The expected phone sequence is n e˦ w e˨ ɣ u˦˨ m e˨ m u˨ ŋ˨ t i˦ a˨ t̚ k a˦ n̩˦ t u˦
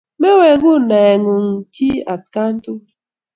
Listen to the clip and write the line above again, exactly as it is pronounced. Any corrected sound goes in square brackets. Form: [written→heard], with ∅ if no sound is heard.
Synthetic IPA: [n→m] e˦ w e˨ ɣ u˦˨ [m→n] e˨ [m→ŋ] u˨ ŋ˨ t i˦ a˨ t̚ k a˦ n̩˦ t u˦